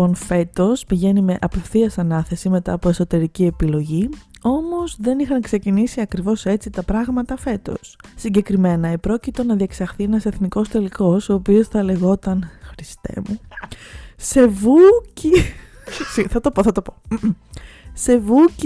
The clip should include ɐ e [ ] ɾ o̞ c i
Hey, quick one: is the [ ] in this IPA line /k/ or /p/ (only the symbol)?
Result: p